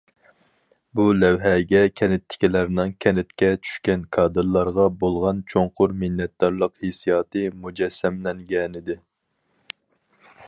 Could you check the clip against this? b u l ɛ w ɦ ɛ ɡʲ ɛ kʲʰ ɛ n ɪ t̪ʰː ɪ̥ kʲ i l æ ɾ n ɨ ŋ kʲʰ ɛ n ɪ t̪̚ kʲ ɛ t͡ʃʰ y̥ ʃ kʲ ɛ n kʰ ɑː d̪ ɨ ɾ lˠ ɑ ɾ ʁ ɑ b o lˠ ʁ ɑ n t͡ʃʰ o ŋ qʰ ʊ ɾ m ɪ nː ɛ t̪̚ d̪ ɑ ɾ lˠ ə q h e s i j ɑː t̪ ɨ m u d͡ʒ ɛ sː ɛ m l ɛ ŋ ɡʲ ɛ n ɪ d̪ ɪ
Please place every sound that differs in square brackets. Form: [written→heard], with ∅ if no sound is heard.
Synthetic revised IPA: b u l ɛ w ɦ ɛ ɡʲ ɛ kʲʰ ɛ n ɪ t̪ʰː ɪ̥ kʲ i l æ ɾ n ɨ ŋ kʲʰ ɛ n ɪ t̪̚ kʲ ɛ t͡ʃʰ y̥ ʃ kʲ ɛ n kʰ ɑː d̪ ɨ ɾ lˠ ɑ ɾ ʁ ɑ b o lˠ ʁ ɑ n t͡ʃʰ o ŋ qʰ ʊ ɾ m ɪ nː ɛ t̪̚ d̪ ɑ ɾ lˠ ə q h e s i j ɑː t̪ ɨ m u d͡ʒ ɛ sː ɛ m l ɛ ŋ ɡʲ ɛ n ɪ d̪ ɪ